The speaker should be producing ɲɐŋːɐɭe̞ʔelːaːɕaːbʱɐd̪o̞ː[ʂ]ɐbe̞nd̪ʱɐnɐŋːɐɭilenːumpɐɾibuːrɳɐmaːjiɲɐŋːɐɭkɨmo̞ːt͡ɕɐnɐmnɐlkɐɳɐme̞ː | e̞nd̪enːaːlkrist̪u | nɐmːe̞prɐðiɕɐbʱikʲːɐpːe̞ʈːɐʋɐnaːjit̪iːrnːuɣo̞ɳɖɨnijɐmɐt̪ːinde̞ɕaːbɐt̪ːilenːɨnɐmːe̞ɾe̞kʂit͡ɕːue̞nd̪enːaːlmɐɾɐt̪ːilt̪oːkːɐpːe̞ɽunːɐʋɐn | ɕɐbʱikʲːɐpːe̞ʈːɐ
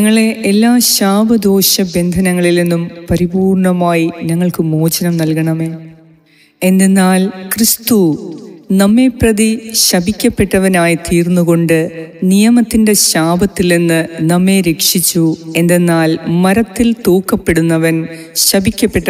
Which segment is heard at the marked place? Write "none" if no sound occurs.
ɕ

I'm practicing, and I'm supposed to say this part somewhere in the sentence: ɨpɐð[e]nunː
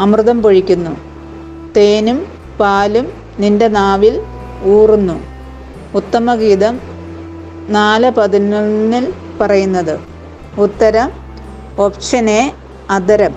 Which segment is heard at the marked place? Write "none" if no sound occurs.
i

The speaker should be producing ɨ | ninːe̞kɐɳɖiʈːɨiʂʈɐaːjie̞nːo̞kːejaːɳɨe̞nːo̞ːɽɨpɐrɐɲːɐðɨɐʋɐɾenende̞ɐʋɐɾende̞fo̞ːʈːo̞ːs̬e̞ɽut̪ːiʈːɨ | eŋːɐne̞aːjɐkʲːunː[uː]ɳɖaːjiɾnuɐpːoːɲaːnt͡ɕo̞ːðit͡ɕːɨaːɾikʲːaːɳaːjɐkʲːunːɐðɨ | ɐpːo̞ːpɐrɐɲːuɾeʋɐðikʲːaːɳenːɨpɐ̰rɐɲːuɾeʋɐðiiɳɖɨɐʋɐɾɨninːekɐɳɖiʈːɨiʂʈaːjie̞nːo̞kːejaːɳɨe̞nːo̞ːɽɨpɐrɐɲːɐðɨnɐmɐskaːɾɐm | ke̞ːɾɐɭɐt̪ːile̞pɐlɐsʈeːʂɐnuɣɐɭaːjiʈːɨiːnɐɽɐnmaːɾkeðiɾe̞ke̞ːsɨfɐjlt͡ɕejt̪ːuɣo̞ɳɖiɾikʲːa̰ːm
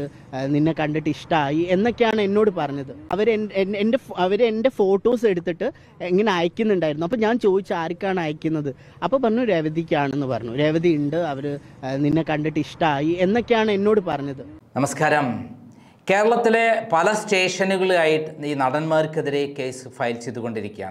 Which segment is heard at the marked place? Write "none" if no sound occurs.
u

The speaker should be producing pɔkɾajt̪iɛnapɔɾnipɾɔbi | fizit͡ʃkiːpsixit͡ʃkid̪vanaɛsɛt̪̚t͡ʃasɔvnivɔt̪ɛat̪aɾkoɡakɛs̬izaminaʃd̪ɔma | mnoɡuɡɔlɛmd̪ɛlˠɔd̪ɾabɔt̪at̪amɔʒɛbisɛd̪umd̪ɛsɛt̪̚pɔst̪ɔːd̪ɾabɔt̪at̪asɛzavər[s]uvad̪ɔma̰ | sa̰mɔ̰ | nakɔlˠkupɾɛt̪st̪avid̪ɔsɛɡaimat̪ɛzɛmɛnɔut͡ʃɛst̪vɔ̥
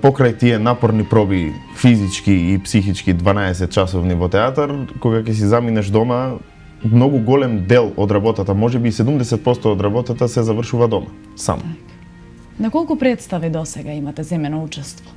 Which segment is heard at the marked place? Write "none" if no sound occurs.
ʃ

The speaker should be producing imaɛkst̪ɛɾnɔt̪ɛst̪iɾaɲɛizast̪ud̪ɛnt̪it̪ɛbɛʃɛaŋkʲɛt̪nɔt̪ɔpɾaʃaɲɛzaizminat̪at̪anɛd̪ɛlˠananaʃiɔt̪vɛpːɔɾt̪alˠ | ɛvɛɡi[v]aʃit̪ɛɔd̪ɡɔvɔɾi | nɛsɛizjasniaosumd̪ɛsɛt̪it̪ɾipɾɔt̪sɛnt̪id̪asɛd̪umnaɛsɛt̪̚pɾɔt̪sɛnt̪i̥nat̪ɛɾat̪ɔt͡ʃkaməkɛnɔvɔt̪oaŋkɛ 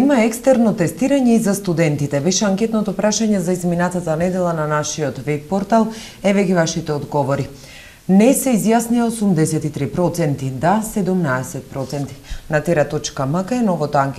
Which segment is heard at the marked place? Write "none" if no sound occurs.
v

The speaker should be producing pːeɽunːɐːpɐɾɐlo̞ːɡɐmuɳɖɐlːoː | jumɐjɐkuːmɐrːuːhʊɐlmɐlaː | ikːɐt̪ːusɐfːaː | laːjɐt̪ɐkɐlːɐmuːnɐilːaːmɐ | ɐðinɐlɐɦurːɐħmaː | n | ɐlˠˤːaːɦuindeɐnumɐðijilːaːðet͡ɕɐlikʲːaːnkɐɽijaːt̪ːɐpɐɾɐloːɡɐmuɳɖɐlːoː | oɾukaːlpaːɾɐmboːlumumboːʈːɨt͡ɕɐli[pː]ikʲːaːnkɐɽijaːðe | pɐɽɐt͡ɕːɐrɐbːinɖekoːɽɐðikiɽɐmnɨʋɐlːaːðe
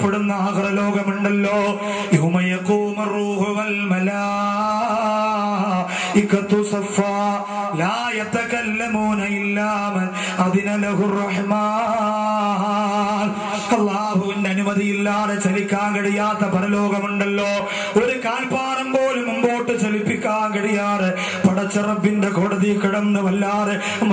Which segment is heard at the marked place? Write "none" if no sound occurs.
pː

